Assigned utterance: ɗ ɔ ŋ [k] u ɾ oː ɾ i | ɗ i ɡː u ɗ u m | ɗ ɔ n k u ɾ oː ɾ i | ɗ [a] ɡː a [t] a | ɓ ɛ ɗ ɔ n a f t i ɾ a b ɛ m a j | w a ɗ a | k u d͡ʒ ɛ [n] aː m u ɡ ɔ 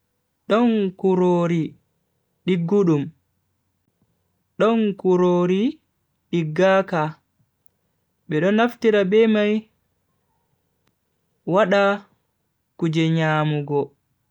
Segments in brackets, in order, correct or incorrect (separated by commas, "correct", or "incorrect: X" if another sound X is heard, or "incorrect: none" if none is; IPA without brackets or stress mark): correct, incorrect: i, incorrect: k, incorrect: ɲ